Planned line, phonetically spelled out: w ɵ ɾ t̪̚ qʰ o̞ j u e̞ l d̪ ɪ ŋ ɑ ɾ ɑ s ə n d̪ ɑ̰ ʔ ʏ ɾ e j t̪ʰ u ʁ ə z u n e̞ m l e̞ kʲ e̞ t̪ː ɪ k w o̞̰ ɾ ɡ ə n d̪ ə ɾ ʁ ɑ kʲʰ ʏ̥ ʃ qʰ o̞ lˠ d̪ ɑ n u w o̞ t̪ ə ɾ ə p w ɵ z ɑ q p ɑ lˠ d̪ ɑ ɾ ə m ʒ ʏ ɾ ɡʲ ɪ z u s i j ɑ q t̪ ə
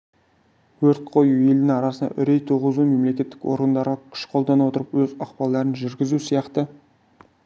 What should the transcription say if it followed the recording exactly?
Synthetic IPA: w ɵ ɾ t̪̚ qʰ o̞ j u e̞ l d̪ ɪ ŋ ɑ ɾ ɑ s ə n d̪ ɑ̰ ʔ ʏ ɾ e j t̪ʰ u ʁ ə z u m e̞ m l e̞ kʲ e̞ t̪ː ɪ k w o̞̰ ɾ ɡ ə n d̪ ɑ ɾ ʁ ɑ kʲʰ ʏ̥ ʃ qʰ o̞ lˠ d̪ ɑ n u w o̞ t̪ ə ɾ ə p w ɵ z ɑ q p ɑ lˠ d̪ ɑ ɾ ə n ʒ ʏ ɾ ɡʲ ɪ z u s i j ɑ q t̪ ə